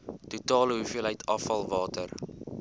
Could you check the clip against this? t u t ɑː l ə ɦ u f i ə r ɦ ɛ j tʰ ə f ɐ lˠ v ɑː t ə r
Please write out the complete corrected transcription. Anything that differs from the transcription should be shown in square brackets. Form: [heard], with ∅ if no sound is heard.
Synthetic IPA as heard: t u t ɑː l ə ɦ u f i ə [l] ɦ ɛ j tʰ [ɐ] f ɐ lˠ v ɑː t ə r